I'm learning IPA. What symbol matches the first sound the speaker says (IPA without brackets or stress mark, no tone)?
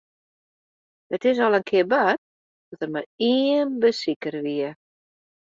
ə